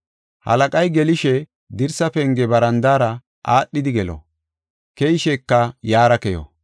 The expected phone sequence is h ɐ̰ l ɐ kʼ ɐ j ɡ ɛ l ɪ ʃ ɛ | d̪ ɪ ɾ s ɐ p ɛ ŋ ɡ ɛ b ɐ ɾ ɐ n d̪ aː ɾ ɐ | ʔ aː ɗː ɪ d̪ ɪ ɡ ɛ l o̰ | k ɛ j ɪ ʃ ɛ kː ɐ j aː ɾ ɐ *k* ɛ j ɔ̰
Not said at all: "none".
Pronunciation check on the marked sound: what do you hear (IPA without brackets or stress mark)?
k